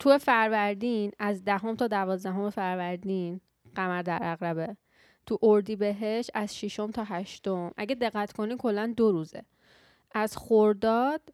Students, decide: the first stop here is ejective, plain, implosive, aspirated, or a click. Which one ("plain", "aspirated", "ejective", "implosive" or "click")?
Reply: aspirated